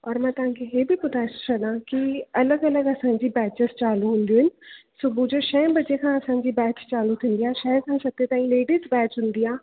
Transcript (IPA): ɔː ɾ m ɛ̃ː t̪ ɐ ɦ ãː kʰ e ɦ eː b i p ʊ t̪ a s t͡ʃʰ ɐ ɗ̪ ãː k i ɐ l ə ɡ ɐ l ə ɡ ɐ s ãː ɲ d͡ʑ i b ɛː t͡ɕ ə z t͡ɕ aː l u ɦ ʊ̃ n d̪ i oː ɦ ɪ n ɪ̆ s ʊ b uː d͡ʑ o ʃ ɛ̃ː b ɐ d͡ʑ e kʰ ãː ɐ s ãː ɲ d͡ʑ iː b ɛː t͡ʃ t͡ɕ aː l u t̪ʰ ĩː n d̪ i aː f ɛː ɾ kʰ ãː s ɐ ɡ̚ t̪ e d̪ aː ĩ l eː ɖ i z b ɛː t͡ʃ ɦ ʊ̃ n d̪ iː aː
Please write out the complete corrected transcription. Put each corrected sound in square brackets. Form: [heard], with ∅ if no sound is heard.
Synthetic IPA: ɔː ɾ m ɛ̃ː t̪ ɐ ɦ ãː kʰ e ɦ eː b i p ʊ t̪ a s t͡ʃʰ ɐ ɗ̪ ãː k i ɐ l ə ɡ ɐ l ə ɡ ɐ s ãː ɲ d͡ʑ i b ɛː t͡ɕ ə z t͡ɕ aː l u ɦ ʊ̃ n d̪ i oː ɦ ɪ n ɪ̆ s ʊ b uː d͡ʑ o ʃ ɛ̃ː b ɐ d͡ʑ e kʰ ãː ɐ s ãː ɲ d͡ʑ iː b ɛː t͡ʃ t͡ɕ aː l u t̪ʰ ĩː n d̪ i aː [ʃ] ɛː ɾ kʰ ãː s ɐ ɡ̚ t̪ e [t̪] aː ĩ l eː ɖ i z b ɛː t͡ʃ ɦ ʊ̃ n d̪ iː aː